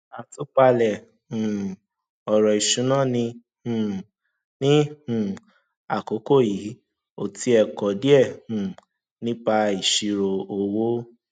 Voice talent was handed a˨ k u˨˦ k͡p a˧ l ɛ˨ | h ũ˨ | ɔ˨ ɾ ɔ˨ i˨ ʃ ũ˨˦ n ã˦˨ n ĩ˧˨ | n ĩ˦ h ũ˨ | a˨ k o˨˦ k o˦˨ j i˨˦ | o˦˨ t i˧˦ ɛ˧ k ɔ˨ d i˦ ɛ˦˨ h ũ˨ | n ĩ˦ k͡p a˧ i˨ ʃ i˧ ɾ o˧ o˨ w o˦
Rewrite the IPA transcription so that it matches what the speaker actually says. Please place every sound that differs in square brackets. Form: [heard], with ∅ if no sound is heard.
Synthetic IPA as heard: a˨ [t] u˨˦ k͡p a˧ l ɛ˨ | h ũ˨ | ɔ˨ ɾ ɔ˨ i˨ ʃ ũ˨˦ n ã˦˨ n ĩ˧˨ | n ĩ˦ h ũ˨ | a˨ k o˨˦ k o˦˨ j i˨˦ | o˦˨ t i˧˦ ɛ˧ k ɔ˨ d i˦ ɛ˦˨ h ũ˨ | n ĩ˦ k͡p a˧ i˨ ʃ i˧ ɾ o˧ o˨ w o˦